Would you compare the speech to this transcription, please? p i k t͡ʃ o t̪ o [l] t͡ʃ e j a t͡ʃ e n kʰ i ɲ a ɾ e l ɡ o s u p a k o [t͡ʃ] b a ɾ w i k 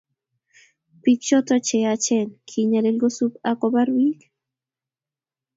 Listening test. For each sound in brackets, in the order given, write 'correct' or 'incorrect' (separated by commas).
incorrect, incorrect